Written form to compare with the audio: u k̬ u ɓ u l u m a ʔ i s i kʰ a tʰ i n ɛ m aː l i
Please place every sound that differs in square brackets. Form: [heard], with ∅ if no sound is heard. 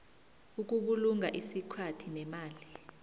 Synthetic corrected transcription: u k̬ u ɓ u l u [ŋ] a ʔ i s i kʰ a tʰ i n ɛ m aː l i